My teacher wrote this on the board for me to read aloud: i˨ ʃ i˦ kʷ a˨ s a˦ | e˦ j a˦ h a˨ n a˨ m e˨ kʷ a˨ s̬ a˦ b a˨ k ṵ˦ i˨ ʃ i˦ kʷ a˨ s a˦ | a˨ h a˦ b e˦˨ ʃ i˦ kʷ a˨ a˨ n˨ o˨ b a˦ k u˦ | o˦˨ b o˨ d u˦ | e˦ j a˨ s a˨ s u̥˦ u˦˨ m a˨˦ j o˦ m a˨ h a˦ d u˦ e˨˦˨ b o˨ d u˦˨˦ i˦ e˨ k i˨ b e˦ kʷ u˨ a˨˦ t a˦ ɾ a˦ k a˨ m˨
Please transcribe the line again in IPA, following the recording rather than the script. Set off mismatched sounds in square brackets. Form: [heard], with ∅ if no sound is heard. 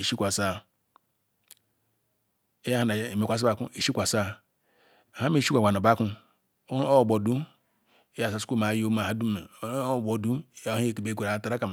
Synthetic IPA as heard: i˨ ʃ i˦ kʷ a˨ s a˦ | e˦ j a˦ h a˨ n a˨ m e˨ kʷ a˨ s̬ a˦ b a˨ k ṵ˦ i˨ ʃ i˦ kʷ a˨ s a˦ | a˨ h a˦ [m] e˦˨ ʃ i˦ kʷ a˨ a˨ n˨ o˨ b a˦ k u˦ | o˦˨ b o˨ d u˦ | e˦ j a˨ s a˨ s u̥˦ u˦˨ m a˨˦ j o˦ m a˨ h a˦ d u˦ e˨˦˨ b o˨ d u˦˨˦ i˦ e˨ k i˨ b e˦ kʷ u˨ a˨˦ t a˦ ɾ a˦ k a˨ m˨